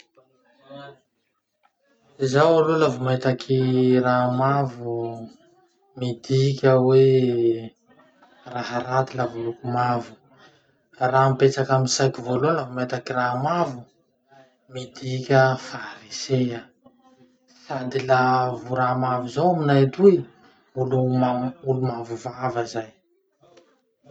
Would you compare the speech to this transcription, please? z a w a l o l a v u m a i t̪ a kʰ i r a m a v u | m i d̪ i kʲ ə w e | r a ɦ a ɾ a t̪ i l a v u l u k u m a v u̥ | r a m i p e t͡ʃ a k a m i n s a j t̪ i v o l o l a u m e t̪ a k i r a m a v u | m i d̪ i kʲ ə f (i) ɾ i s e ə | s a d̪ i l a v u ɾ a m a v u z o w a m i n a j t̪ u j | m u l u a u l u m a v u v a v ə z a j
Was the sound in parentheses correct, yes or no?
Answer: no